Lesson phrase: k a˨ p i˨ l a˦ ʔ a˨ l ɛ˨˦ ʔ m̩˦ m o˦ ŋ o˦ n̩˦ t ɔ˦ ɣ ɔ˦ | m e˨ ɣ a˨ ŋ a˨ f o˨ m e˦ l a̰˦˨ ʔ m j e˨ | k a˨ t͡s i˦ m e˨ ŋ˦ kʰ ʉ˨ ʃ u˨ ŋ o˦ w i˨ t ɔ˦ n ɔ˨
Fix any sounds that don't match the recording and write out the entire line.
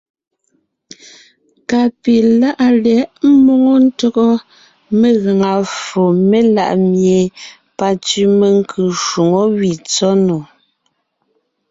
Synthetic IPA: k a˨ p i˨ l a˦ ʔ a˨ l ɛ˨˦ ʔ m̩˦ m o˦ ŋ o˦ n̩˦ t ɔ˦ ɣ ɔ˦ | m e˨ ɣ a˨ ŋ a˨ f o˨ m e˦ l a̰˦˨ ʔ m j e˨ | p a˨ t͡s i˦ m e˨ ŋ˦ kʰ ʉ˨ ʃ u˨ ŋ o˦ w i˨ t͡s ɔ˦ n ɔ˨